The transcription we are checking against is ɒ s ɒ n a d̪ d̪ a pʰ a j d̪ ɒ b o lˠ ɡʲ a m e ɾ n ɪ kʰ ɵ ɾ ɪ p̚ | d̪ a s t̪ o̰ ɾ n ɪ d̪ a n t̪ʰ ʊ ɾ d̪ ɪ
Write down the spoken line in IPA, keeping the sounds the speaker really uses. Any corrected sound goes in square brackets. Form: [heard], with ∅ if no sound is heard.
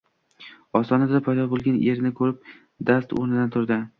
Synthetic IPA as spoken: ɒ s ɒ n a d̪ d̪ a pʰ a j d̪ ɒ b o lˠ ɡʲ a [n] e ɾ n ɪ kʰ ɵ ɾ ɪ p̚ | d̪ a s t̪ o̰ ɾ n ɪ d̪ a n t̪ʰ ʊ ɾ d̪ ɪ